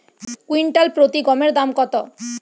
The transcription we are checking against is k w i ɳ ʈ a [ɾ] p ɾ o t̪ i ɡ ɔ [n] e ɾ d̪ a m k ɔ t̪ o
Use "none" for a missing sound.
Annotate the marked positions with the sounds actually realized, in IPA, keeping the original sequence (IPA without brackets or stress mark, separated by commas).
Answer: l, m